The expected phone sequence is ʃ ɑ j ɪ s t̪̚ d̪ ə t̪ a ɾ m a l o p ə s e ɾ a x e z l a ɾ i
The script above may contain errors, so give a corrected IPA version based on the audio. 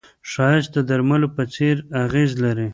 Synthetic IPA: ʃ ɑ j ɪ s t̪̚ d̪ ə d̪ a ɾ m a l o p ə t͡s e ɾ a ɣ e z l a ɾ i